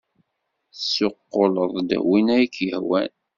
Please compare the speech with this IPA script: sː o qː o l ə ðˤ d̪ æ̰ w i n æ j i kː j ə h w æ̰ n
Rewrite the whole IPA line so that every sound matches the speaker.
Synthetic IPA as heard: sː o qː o l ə ðˤ d̪ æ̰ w i n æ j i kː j ə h w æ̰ n